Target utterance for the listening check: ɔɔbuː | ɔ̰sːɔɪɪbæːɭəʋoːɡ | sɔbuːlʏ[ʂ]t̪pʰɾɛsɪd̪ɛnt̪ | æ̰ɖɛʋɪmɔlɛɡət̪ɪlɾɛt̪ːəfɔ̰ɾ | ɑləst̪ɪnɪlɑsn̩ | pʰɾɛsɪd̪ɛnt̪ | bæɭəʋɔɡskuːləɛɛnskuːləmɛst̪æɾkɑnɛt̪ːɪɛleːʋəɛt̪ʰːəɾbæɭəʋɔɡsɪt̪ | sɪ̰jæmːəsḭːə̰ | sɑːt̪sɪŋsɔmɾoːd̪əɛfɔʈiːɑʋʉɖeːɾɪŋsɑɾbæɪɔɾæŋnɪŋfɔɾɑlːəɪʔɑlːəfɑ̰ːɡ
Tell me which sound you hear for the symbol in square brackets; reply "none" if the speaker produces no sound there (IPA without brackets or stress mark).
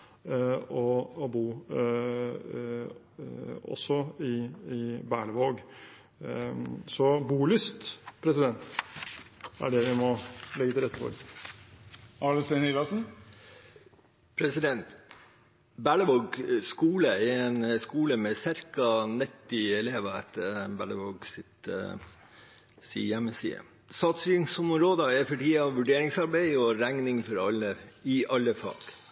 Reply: s